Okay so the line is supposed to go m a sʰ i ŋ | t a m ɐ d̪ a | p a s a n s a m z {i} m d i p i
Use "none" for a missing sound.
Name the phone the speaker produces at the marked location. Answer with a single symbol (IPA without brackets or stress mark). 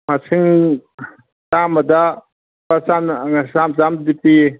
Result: a